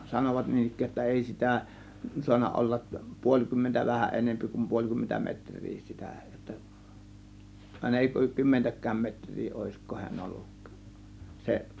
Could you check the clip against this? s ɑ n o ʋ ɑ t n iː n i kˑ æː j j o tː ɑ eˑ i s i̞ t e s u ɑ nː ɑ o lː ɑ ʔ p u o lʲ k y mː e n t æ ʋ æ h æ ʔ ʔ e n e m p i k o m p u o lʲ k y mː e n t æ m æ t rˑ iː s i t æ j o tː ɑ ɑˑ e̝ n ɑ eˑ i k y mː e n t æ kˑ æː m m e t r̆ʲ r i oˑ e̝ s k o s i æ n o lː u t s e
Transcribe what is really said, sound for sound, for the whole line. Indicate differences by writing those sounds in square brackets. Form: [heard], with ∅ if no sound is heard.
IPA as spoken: s ɑ n o ʋ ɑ t n iː n i kˑ æː j j o tː ɑ eˑ i s i̞ t [æ] s u ɑ nː ɑ o lː ɑ ʔ p u o lʲ k y mː e n t æ ʋ æ h æ ʔ ʔ e n e m p i k [u] m p u o lʲ k y mː e n t æ m [e] t rˑ iː s i t æ j o tː ɑ ɑˑ e̝ n ɑ eˑ i k y mː e n t æ kˑ æː m m e t r̆ʲ r [iː] oˑ e̝ s k o [h] i æ n o lː u [k] s e